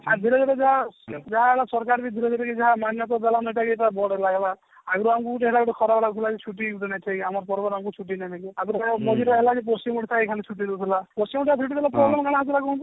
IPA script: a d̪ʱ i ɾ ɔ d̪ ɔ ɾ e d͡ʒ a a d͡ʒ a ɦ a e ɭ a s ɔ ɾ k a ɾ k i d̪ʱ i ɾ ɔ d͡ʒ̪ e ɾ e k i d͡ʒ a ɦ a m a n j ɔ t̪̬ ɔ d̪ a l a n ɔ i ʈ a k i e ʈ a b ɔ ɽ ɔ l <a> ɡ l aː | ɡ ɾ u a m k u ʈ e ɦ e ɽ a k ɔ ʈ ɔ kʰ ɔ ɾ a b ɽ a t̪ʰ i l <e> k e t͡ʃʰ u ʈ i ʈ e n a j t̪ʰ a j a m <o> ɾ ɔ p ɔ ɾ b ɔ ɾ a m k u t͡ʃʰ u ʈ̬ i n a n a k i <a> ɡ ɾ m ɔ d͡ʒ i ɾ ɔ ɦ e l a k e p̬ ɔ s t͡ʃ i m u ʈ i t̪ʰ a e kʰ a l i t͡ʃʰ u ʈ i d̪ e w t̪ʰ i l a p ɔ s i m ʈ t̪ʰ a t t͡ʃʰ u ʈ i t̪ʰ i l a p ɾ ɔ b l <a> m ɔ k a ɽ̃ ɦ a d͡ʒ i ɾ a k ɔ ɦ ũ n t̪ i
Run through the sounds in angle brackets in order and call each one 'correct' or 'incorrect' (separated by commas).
correct, incorrect, incorrect, correct, incorrect